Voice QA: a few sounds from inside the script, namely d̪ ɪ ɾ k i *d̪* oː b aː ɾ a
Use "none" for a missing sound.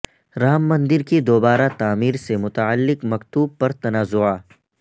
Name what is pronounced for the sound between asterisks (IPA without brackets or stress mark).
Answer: d̪